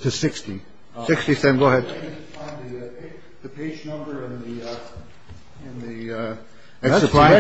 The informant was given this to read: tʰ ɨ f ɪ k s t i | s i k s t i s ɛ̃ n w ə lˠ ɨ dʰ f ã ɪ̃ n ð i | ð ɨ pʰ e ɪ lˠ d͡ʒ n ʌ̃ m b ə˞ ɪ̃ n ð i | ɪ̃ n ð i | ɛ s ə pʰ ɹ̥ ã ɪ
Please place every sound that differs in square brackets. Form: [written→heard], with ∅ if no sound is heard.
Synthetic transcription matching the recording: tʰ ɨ [f→s] ɪ k s t i | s [i→ɪ] k s t i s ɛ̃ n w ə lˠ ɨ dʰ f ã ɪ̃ n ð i | ð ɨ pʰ e ɪ [lˠ→∅] d͡ʒ n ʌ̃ m b ə˞ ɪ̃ n ð i | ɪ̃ n ð i | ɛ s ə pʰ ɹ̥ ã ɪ

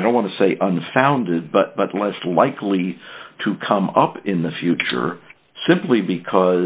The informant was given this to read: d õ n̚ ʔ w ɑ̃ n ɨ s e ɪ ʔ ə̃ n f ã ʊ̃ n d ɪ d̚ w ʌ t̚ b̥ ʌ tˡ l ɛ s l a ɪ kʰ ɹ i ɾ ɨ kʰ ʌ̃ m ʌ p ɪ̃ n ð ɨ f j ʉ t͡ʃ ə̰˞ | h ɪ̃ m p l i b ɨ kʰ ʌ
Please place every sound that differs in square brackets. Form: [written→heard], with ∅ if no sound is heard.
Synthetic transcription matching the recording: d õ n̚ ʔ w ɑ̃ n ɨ s e ɪ ʔ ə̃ n f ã ʊ̃ n d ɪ d̚ [w→b] ʌ t̚ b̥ ʌ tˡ l ɛ s l a ɪ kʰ [ɹ→l] i ɾ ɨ kʰ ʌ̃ m ʌ p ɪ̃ n ð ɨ f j ʉ t͡ʃ ə̰˞ | [h→s] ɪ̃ m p l i b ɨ kʰ ʌ

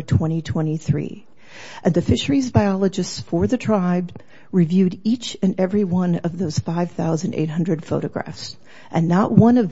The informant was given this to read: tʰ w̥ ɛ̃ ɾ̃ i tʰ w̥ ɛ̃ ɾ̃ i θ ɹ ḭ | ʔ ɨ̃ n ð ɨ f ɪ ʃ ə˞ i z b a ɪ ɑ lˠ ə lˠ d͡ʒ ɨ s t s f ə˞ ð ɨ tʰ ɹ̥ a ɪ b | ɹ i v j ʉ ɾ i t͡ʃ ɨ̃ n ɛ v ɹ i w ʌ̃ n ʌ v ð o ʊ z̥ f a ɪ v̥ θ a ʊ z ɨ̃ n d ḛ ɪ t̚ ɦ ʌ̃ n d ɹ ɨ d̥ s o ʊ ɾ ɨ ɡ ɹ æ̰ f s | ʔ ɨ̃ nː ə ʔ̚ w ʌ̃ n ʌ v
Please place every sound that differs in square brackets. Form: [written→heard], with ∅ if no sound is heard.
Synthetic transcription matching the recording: tʰ w̥ ɛ̃ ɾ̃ i tʰ w̥ ɛ̃ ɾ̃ i θ ɹ ḭ | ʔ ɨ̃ n ð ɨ f ɪ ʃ ə˞ i z b a ɪ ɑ lˠ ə [lˠ→∅] d͡ʒ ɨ s t s f ə˞ ð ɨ tʰ ɹ̥ a ɪ b | ɹ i v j ʉ ɾ i t͡ʃ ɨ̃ n ɛ v ɹ i w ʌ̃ n ʌ v ð o ʊ z̥ f a ɪ v̥ θ a ʊ z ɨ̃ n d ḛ ɪ t̚ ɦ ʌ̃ n d ɹ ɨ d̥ [s→f] o ʊ ɾ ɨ ɡ ɹ æ̰ f s | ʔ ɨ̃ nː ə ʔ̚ w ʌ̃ n ʌ v

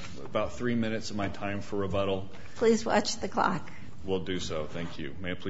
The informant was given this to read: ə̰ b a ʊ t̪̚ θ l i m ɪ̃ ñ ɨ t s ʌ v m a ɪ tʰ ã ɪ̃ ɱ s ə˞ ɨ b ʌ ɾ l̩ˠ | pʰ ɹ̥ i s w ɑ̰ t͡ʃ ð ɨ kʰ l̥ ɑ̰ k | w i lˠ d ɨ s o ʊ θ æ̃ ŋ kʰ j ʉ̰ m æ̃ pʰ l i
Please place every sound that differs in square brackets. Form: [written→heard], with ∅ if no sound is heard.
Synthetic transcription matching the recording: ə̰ b a ʊ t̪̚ θ [l→ɹ] i m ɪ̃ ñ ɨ t s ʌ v m a ɪ tʰ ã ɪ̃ ɱ [s→f] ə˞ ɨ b ʌ ɾ l̩ˠ | pʰ [ɹ̥→l̥] i [s→z] w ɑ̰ t͡ʃ ð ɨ kʰ l̥ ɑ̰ k | w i lˠ d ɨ s o ʊ θ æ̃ ŋ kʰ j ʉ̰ m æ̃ pʰ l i

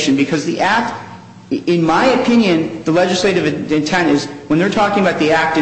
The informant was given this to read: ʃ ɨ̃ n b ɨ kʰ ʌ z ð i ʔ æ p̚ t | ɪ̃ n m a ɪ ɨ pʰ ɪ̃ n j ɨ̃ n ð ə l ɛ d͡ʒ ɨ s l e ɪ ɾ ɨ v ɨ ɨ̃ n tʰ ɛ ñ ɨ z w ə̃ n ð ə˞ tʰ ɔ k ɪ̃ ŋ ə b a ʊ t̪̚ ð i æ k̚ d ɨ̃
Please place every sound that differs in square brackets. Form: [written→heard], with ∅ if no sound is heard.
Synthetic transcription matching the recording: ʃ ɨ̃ n b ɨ kʰ ʌ z ð i ʔ æ [p̚→k̚] t | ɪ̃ n m a ɪ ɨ pʰ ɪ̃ n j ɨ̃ n ð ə l ɛ d͡ʒ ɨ s l e ɪ ɾ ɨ v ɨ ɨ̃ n tʰ [ɛ→ɛ̃] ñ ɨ z w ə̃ n ð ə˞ tʰ ɔ k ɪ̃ ŋ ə b a ʊ t̪̚ ð i æ k̚ [d→t] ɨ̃

